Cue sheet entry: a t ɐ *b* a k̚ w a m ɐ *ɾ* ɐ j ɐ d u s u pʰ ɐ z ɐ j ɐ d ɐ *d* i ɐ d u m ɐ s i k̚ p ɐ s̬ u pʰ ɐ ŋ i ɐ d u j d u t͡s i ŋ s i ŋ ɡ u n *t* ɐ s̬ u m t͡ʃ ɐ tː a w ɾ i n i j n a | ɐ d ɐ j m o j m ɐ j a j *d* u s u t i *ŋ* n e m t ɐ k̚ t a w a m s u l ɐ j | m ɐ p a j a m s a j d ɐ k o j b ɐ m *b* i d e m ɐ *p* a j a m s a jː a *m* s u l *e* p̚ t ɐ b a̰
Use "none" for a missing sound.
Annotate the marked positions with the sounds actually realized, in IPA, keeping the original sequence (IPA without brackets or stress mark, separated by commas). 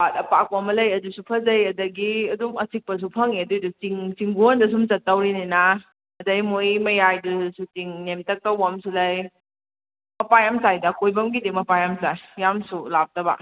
p, l, ɡ, d, d, ŋ, ɡ, p, m, a